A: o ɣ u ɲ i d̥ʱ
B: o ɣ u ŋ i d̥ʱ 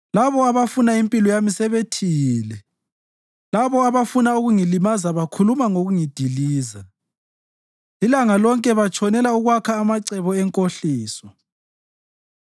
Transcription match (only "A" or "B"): B